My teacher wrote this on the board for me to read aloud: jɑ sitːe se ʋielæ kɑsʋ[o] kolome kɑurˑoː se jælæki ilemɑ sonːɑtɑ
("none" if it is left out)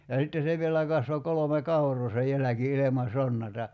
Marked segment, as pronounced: o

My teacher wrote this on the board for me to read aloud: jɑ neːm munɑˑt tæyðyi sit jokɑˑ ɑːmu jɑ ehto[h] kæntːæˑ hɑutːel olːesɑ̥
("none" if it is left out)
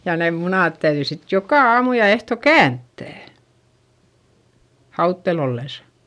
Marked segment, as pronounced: none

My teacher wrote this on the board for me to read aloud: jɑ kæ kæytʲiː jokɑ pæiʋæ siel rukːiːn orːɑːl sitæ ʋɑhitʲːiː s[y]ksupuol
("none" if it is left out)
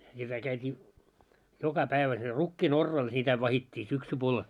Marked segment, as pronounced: y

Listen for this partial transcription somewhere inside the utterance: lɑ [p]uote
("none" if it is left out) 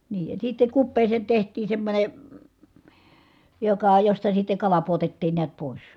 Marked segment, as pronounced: p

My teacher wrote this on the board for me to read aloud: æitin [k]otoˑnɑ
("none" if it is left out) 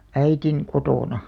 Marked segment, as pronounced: k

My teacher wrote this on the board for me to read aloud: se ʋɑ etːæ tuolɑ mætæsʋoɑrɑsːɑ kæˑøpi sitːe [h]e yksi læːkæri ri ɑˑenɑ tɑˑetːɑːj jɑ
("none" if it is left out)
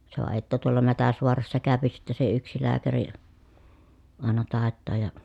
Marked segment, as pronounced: s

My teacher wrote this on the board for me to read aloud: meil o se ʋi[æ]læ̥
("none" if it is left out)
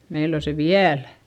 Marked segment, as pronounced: æ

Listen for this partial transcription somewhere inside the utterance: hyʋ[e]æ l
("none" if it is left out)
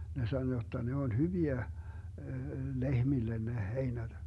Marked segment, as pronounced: i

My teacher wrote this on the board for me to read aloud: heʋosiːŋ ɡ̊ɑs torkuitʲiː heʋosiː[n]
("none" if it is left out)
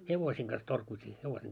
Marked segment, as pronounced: ŋ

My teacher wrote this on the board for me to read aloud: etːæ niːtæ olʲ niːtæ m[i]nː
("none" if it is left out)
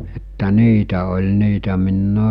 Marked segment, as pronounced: i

